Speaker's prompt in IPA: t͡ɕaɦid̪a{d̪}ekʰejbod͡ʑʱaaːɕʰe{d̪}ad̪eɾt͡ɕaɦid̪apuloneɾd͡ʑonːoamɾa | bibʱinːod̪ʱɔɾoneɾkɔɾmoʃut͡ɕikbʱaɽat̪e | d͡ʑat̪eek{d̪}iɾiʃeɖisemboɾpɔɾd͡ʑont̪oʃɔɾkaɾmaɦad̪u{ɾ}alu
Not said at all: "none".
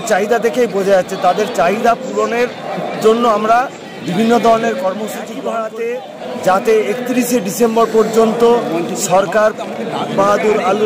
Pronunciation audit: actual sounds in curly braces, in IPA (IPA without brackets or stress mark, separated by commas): d̪, t̪, t̪, ɾ